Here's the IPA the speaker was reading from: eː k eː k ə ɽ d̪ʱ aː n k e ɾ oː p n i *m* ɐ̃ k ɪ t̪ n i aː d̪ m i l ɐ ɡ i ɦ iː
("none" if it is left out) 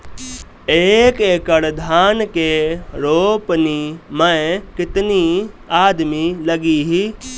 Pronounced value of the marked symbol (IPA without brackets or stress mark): m